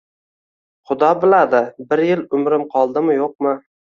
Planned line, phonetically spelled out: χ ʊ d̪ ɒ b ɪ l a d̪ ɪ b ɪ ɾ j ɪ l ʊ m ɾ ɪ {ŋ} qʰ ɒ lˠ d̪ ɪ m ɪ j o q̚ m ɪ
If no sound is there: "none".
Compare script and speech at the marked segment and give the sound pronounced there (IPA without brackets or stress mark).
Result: m